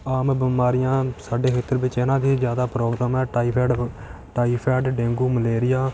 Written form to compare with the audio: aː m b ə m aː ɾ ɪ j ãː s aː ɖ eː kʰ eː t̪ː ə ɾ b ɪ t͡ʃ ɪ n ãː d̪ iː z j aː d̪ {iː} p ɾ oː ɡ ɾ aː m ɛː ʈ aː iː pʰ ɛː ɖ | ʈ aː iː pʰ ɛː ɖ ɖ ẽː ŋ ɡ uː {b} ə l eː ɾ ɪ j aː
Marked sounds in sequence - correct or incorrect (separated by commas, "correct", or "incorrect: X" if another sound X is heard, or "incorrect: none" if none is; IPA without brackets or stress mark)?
incorrect: aː, incorrect: m